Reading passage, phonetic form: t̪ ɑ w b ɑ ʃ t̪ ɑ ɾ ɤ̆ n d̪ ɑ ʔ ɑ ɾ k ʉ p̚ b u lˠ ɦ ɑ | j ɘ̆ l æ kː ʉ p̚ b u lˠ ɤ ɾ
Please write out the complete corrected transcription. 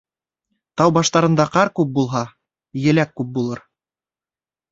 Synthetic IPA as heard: t̪ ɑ w b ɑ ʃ t̪ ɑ ɾ ɤ̆ n d̪ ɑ q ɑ ɾ k ʉ p̚ b u lˠ ɦ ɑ | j ɘ̆ l æ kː ʉ p̚ b u lˠ ɤ ɾ